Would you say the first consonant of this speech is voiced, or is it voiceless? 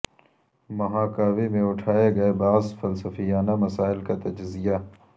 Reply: voiced